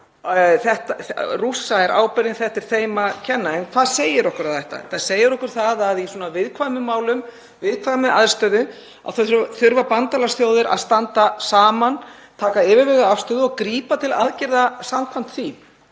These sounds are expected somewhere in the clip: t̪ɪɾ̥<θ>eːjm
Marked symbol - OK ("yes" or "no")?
yes